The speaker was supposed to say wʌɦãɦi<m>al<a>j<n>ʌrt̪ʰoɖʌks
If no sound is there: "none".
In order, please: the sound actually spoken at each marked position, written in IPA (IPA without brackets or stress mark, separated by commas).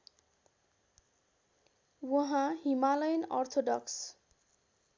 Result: m, ʌ, n